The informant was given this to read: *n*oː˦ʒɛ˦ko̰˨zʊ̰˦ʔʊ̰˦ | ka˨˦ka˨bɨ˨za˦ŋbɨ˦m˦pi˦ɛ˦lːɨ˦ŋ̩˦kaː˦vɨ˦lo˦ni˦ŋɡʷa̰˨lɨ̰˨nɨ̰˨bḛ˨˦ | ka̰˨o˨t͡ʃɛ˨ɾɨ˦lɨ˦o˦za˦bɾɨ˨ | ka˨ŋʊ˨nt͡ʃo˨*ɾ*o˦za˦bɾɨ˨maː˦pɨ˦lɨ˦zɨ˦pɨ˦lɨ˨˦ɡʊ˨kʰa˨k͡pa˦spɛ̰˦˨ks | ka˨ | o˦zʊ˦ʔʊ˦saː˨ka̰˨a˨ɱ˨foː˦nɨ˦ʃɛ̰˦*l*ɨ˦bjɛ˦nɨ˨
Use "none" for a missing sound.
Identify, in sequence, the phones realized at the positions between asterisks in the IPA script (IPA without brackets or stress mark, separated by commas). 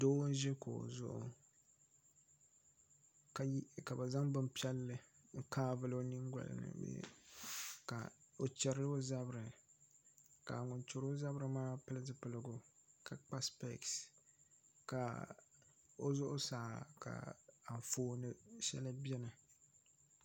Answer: d, ɾ, l